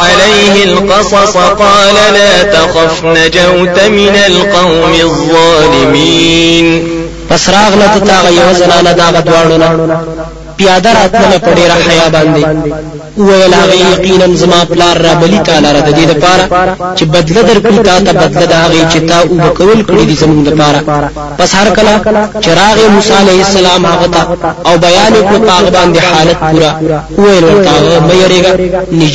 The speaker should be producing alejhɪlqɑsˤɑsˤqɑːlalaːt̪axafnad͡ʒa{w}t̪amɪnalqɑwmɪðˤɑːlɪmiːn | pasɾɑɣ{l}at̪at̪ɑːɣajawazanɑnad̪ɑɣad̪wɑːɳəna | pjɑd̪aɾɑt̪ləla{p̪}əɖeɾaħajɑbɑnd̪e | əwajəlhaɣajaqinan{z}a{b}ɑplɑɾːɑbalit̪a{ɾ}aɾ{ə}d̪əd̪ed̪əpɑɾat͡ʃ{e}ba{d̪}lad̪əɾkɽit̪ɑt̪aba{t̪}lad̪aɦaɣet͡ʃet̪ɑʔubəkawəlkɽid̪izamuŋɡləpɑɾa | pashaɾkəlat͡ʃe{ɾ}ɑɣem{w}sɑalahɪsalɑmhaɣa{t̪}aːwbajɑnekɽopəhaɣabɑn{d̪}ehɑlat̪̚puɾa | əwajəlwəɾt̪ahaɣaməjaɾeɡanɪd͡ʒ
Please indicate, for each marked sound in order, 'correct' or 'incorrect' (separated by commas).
correct, correct, correct, correct, incorrect, incorrect, incorrect, correct, correct, incorrect, correct, incorrect, correct, correct